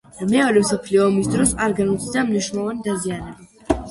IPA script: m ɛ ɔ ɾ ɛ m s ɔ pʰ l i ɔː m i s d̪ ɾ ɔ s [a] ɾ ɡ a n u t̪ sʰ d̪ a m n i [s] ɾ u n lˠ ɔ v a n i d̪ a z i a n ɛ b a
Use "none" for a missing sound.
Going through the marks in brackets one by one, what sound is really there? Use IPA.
a, ʃ

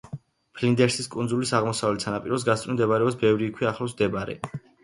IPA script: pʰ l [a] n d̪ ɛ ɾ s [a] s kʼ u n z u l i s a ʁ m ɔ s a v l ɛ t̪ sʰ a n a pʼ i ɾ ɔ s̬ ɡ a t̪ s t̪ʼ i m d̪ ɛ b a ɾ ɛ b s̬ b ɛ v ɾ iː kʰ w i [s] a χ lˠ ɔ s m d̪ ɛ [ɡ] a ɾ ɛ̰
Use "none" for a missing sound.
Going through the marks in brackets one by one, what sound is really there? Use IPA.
i, i, none, b

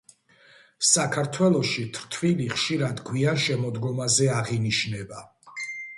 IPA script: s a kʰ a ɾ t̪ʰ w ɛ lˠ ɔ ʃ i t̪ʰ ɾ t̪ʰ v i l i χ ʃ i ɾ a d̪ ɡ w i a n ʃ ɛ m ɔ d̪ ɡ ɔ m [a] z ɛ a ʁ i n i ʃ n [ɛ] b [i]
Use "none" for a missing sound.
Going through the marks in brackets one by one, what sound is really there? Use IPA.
a, ɛ, a

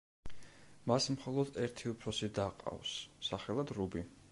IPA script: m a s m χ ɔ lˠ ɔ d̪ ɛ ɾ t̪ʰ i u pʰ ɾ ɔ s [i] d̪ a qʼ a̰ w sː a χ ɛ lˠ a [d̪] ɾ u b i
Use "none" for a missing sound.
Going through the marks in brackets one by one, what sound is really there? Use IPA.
i, d̪

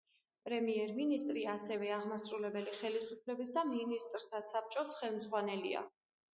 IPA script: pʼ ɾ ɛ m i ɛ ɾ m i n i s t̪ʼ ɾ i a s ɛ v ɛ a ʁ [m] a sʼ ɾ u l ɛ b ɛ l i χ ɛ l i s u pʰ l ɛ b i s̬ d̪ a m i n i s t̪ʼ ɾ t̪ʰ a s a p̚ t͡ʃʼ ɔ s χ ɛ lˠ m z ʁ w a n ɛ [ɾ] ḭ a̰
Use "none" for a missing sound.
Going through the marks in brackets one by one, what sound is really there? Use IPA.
m, l

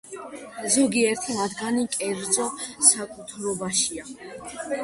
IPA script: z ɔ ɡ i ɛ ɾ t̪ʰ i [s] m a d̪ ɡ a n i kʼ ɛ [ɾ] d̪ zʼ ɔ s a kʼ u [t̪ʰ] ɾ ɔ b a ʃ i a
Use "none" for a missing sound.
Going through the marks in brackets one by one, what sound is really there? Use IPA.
none, ɾ, t̪ʰ

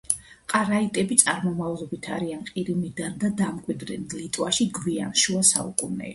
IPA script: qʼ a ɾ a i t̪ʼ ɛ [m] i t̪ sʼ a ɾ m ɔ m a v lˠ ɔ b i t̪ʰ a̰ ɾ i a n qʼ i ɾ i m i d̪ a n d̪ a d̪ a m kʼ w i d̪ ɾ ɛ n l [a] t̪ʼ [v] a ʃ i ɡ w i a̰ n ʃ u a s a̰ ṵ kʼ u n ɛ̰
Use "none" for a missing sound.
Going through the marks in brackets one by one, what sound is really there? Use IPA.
b, i, w

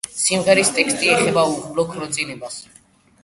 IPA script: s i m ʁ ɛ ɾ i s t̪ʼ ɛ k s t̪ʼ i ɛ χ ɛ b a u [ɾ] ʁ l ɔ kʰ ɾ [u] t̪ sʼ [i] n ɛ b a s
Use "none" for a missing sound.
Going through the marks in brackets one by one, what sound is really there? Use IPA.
none, ɔ, i

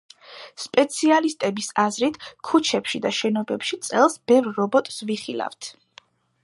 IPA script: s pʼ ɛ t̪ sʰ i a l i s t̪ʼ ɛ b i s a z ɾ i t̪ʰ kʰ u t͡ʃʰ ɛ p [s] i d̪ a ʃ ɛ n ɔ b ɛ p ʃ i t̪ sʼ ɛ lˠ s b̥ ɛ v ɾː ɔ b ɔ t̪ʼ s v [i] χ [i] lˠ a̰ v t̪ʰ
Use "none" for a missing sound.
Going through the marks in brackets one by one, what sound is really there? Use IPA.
ʃ, i, i

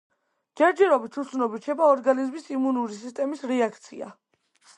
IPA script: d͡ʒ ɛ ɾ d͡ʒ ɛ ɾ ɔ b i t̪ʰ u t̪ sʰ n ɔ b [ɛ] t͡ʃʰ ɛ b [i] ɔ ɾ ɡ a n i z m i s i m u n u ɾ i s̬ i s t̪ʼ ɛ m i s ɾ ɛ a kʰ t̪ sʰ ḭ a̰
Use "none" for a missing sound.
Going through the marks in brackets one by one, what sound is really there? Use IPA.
i, a

